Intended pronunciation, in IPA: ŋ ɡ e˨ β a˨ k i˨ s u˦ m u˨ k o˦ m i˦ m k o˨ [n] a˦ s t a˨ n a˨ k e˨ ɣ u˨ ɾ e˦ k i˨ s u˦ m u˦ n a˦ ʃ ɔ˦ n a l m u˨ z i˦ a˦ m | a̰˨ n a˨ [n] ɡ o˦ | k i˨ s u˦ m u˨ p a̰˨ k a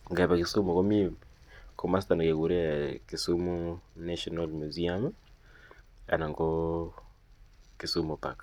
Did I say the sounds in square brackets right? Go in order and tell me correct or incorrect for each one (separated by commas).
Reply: incorrect, incorrect